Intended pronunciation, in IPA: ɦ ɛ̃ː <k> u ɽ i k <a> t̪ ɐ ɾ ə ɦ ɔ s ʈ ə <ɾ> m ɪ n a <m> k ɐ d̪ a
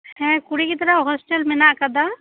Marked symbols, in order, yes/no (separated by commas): yes, no, no, no